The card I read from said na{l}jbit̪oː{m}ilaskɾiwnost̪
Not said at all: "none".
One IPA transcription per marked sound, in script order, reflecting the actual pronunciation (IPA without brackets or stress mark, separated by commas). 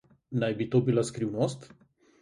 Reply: none, b